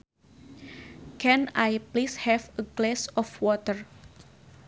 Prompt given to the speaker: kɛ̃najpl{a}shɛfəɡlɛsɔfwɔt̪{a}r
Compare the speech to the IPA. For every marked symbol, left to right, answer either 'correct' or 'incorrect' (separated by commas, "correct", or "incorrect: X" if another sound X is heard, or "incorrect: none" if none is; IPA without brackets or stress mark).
incorrect: i, incorrect: ə